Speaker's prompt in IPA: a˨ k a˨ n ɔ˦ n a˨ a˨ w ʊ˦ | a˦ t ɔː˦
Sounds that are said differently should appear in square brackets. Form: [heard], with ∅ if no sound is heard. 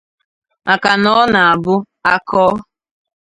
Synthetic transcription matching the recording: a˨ k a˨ n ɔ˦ n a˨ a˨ [b] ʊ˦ | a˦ [k] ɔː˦